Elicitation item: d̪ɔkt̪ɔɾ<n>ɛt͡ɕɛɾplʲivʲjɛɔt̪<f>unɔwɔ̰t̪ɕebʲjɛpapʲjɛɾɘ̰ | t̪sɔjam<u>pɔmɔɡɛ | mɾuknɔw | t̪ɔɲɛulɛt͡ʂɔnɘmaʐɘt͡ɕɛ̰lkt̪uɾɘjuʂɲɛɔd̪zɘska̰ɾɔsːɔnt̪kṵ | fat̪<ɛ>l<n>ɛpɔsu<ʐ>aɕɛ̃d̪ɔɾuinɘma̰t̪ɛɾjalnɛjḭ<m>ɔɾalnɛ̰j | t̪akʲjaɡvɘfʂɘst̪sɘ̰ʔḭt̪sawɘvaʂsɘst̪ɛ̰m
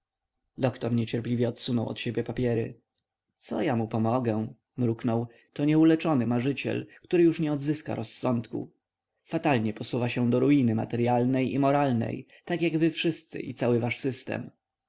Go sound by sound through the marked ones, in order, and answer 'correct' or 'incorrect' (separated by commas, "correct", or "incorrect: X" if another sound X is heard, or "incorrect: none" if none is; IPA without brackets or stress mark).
incorrect: ɲ, incorrect: s, correct, incorrect: a, incorrect: ɲ, incorrect: v, correct